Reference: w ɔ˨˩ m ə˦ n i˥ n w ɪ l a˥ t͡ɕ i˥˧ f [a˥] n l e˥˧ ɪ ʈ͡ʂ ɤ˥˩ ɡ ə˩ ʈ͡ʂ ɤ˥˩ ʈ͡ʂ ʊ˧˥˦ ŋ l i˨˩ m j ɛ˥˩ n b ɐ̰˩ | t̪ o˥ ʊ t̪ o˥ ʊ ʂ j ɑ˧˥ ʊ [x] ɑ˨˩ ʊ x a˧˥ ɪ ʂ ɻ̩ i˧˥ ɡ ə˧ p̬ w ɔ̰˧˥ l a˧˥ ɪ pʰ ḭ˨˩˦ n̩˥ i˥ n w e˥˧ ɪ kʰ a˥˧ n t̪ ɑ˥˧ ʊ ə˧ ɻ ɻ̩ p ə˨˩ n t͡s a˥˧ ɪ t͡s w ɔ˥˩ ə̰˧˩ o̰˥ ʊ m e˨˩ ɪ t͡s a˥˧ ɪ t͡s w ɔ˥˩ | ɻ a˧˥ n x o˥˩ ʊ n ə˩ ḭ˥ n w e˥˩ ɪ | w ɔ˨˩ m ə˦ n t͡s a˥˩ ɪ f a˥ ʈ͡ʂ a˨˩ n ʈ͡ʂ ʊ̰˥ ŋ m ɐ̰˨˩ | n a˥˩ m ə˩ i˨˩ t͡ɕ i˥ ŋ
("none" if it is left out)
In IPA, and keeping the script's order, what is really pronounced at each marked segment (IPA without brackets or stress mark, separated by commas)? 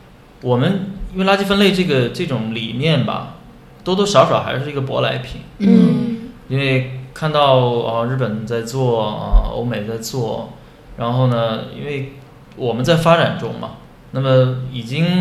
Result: ə˥, ʂ